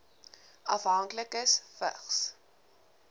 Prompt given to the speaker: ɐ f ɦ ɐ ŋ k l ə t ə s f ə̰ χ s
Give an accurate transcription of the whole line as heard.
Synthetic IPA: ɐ f ɦ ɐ ŋ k l ə k ə s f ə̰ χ s